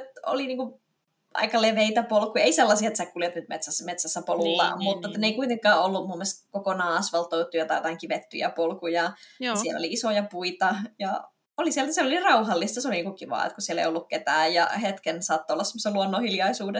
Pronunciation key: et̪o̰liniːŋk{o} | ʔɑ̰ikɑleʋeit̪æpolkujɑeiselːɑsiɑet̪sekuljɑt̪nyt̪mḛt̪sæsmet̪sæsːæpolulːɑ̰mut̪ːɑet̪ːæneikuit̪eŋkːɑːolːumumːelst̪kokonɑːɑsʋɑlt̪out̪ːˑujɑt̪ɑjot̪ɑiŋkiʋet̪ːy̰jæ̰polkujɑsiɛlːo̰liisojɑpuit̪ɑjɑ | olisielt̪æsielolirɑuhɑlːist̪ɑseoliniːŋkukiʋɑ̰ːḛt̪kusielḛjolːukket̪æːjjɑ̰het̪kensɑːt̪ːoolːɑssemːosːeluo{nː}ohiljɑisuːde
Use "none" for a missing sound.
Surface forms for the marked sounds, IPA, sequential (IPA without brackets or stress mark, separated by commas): u, nː